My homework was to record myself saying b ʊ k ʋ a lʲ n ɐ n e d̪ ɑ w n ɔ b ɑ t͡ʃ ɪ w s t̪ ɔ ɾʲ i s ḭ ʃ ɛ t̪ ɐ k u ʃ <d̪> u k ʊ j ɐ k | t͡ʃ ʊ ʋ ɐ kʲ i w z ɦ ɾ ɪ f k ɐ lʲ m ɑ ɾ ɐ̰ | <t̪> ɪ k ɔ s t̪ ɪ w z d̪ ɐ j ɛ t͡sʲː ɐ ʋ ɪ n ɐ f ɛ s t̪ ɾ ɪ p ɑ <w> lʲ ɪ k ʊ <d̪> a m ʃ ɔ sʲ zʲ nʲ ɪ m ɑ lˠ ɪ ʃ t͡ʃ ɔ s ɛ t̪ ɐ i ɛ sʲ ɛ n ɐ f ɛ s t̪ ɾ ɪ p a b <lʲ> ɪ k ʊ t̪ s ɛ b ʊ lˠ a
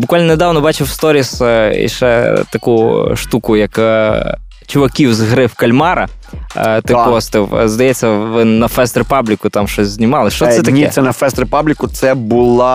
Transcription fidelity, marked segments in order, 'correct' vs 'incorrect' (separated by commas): incorrect, correct, incorrect, incorrect, correct